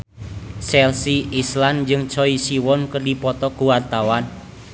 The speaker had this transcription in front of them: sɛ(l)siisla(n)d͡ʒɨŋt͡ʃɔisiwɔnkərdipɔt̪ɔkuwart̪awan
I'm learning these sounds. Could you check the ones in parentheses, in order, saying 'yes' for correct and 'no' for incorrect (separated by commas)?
yes, yes